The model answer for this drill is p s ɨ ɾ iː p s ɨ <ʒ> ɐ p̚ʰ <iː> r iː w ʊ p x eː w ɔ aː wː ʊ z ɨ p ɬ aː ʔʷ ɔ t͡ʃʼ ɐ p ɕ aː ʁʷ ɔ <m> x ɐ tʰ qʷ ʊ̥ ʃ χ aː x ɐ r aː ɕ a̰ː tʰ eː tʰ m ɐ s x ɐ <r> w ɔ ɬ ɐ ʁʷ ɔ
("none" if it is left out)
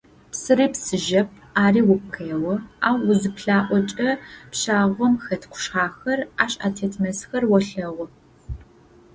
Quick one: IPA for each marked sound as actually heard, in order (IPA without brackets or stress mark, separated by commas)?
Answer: ʒ, aː, m, r